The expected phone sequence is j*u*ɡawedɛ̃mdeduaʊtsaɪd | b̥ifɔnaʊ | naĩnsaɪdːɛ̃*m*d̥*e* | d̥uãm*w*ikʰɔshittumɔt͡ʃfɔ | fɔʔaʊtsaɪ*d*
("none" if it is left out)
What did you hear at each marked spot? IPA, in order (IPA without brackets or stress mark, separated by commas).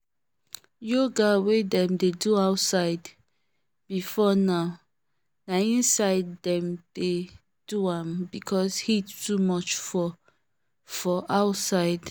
o, m, e, b, d